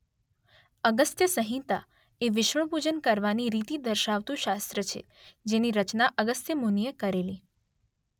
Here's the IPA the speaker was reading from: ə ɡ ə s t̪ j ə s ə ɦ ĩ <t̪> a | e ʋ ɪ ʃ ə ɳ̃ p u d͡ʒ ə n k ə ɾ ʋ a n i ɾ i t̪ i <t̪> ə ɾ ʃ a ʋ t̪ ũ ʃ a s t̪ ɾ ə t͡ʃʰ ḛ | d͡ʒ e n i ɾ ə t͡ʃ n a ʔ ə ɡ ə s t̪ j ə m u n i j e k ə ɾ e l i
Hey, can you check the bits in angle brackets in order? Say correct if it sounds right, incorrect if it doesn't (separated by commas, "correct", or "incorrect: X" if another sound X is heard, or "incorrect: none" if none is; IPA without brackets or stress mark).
correct, incorrect: d̪